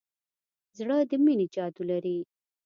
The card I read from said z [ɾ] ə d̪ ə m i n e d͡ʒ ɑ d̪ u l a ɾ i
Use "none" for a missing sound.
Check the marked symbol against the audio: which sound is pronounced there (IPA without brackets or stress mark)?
ɽ